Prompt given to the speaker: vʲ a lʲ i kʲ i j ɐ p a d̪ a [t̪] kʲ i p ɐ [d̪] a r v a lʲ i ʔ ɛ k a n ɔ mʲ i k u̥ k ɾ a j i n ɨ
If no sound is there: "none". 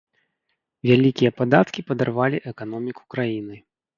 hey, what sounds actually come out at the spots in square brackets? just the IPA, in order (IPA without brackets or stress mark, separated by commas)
t̪, d̪